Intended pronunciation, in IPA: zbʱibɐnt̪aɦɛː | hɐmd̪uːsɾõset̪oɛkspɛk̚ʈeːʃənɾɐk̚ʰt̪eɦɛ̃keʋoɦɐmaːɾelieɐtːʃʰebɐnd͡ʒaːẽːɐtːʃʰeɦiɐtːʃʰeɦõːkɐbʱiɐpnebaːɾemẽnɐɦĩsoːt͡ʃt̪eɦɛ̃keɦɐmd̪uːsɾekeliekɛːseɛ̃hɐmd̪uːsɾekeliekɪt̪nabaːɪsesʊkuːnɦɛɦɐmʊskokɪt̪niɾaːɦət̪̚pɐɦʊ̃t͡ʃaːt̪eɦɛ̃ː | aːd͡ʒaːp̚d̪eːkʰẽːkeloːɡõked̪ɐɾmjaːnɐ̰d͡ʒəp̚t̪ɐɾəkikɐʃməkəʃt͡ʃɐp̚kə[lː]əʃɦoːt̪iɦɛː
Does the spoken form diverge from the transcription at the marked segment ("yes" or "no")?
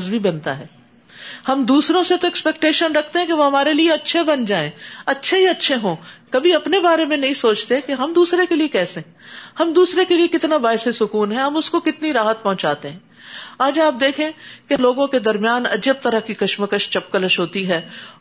yes